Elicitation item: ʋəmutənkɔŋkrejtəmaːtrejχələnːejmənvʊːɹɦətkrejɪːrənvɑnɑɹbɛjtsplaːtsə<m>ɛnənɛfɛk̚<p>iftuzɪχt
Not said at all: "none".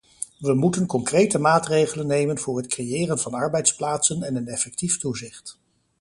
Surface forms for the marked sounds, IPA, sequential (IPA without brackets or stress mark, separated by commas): n, t